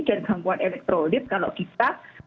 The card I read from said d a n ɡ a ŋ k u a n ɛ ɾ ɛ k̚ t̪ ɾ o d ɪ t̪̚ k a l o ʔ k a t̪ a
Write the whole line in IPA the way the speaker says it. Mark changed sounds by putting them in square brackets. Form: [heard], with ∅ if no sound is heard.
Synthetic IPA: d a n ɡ a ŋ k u a n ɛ [l] ɛ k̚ t̪ ɾ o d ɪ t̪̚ k a l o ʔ k [i] t̪ a